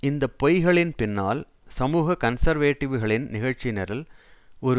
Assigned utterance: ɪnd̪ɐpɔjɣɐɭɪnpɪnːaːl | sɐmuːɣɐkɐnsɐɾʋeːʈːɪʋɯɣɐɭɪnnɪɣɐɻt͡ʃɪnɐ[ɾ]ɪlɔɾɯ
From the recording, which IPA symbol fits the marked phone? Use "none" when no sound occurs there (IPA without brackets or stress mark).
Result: ɾ